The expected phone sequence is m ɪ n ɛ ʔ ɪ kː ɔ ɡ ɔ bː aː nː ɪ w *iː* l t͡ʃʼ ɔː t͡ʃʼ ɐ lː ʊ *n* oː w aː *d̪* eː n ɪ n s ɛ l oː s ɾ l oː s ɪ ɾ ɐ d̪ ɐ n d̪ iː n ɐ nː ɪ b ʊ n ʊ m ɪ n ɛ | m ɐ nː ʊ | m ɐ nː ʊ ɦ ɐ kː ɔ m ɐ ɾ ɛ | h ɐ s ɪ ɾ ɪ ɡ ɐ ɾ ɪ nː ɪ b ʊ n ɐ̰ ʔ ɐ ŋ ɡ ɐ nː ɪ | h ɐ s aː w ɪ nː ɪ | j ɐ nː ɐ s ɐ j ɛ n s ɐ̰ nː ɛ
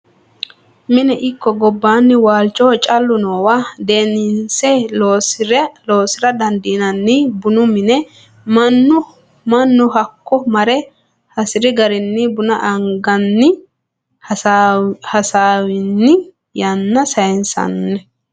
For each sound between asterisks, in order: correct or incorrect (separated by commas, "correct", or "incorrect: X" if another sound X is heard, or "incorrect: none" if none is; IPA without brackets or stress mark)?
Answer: incorrect: aː, correct, correct